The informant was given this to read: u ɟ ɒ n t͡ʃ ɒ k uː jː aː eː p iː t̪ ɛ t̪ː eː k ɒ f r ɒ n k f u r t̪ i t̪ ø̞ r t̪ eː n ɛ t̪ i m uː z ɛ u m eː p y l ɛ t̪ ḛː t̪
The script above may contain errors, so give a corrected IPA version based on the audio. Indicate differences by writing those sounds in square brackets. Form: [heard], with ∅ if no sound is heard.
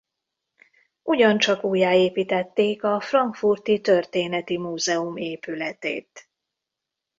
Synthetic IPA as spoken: u ɟ ɒ n t͡ʃ ɒ k uː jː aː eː p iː t̪ ɛ t̪ː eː k ɒ f r ɒ [ŋ] k f u r t̪ i t̪ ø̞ r t̪ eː n ɛ t̪ i m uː z ɛ u m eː p y l ɛ t̪ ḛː t̪